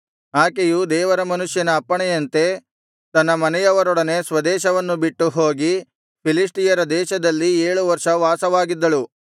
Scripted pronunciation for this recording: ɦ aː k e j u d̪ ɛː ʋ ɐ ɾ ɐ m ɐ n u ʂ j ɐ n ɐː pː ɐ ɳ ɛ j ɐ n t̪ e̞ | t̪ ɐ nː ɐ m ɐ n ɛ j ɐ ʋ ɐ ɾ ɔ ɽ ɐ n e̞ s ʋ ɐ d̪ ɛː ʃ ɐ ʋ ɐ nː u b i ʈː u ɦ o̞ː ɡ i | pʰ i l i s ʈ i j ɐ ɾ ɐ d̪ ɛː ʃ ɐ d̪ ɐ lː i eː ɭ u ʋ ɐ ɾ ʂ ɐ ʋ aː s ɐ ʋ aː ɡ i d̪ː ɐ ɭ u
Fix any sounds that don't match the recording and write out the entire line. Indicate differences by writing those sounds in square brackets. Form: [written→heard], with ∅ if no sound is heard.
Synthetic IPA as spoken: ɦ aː k e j u d̪ ɛː ʋ ɐ ɾ ɐ m ɐ n u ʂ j ɐ n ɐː pː ɐ ɳ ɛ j ɐ n t̪ e̞ | t̪ ɐ nː ɐ m ɐ n ɛ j ɐ ʋ ɐ ɾ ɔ ɽ ɐ n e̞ s ʋ ɐ d̪ ɛː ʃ ɐ ʋ ɐ nː u b i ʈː u ɦ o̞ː ɡ i | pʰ i l i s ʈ i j ɐ ɾ ɐ d̪ ɛː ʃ ɐ d̪ ɐ lː i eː ɭ u ʋ ɐ ɾ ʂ ɐ ʋ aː s ɐ ʋ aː ɡ i d̪ː ɐ ɭ u